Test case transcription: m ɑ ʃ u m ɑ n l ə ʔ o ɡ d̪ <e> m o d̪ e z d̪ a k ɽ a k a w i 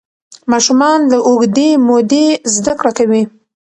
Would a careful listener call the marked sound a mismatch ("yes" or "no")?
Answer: no